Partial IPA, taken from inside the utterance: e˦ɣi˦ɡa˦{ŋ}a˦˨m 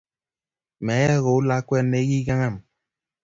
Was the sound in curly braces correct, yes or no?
yes